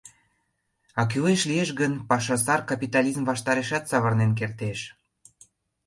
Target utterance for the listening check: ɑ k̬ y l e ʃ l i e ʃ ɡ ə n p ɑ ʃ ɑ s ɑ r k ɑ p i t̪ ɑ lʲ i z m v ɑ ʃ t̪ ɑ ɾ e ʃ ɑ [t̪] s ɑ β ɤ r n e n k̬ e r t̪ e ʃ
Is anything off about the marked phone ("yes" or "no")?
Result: no